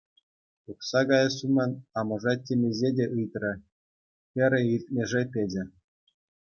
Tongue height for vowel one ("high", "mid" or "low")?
high